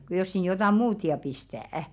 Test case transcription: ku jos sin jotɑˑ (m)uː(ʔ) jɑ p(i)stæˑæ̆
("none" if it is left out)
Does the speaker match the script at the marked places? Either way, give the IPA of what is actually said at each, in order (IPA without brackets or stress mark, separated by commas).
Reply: m, t, i